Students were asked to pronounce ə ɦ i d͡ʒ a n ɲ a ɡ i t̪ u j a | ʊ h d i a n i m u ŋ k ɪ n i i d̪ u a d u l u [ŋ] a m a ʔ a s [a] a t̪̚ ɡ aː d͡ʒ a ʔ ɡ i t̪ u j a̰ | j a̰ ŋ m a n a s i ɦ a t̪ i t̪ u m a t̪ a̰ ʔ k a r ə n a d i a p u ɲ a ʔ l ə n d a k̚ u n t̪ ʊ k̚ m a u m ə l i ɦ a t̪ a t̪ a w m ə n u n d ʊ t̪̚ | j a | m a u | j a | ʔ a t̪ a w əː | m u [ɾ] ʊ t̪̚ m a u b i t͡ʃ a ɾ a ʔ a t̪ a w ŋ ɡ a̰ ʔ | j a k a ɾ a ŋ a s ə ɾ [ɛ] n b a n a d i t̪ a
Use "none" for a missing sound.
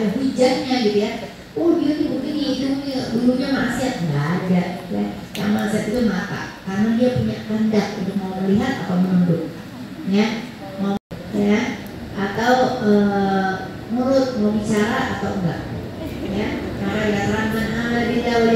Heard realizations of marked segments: ɲ, i, ɾ, a

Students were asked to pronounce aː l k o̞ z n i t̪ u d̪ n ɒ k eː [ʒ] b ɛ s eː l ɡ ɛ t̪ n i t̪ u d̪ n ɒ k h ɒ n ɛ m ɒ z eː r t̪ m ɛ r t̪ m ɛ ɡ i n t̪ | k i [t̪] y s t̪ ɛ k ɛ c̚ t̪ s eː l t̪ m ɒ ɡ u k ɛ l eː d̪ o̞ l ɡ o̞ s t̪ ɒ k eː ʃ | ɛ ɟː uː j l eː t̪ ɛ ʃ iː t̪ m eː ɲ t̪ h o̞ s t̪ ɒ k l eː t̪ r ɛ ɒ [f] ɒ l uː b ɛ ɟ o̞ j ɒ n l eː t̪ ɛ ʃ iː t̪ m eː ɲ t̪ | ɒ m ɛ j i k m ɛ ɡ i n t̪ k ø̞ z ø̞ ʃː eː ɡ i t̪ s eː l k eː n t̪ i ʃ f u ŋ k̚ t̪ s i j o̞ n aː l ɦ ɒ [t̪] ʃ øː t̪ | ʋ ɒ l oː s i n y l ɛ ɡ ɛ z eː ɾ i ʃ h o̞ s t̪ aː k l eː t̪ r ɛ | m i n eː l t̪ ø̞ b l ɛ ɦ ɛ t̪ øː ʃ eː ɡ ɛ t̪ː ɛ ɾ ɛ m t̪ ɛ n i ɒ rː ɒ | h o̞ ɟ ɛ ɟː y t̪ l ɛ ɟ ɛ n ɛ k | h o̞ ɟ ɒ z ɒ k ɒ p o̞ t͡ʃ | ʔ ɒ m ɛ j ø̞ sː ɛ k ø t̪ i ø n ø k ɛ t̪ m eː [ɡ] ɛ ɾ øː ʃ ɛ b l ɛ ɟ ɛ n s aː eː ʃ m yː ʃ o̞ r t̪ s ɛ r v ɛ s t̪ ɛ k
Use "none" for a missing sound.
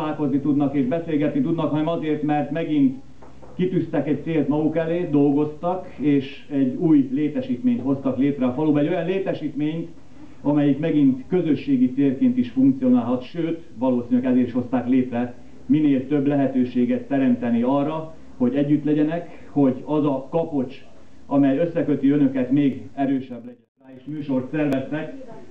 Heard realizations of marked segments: ʒ, t̪, f, t̪, ɡ

